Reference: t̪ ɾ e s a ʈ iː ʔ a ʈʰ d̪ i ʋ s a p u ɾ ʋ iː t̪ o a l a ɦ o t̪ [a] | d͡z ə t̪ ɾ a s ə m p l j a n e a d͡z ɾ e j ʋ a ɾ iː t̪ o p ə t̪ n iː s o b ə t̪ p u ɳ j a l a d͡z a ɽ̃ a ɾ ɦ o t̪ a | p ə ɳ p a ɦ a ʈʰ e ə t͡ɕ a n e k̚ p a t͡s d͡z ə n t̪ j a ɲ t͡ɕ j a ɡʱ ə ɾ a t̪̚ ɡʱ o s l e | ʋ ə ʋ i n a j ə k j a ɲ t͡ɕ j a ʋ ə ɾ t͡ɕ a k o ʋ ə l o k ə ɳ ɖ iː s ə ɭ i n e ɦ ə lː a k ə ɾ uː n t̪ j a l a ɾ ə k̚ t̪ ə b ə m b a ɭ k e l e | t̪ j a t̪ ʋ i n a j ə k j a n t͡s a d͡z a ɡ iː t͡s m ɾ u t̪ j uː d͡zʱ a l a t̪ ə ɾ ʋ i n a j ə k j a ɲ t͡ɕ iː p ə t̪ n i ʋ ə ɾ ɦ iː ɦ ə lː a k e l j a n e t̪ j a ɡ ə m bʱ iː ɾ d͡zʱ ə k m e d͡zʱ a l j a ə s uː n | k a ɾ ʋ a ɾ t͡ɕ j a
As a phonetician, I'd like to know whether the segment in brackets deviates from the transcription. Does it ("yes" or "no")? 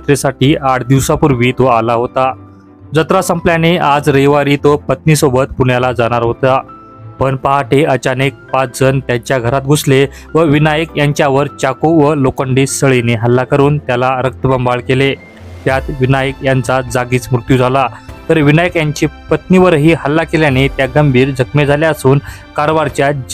no